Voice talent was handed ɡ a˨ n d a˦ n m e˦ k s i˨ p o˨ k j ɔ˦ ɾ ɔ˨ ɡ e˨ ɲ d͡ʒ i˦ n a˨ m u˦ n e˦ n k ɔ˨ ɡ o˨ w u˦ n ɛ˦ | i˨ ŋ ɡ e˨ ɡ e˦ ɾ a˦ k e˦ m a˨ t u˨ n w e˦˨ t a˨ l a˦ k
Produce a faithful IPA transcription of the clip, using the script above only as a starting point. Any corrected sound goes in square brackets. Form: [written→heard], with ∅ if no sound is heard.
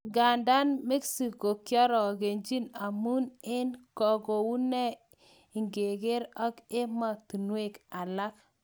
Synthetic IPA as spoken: ɡ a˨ n d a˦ n m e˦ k s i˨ [p→k] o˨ k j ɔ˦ ɾ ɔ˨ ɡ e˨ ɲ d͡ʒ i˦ n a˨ m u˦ n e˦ n k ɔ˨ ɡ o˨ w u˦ n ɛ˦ | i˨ ŋ ɡ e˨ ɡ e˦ ɾ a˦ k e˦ m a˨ t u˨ n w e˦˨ [t→k] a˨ l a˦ k